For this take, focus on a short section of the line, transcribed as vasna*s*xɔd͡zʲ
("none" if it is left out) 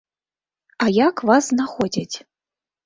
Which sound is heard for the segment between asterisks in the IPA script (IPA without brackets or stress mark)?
none